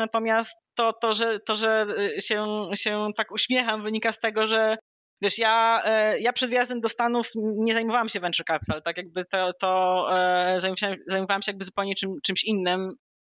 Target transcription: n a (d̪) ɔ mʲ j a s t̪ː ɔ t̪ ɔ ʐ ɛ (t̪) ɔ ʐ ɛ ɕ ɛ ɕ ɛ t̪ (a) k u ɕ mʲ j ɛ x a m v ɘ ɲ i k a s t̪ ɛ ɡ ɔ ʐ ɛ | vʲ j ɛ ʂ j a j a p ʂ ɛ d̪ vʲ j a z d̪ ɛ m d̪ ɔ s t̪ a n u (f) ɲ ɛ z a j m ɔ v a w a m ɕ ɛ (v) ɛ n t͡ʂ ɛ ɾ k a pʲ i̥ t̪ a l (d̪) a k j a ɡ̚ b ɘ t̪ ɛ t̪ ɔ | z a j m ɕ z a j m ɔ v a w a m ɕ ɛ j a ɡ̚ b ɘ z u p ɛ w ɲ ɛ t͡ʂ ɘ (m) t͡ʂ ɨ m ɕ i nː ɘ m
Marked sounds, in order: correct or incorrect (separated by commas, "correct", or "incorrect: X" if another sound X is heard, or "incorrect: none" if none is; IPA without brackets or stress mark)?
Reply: incorrect: t̪, correct, correct, correct, correct, incorrect: t̪, correct